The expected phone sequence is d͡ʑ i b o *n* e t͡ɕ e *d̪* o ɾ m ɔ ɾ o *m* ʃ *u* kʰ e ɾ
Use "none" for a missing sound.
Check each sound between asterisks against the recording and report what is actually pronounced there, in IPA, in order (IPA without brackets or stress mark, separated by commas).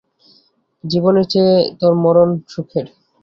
n, t̪, n, u